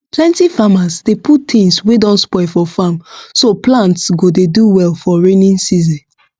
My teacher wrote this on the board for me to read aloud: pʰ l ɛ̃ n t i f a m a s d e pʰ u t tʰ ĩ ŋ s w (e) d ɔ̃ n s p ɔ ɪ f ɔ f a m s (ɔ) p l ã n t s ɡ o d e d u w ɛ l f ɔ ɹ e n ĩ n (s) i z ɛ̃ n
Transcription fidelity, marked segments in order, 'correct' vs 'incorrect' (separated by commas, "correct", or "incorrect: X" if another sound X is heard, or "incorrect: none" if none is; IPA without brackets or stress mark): correct, incorrect: o, correct